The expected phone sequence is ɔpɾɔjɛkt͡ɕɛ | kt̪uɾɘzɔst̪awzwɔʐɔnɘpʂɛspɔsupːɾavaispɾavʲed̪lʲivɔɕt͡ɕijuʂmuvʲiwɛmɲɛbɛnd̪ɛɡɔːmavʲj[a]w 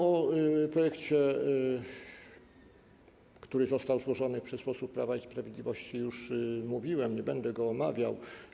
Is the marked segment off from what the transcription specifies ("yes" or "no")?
no